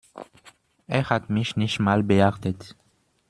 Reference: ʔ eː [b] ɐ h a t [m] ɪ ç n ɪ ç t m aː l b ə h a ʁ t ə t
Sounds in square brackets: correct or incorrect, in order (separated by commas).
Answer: incorrect, correct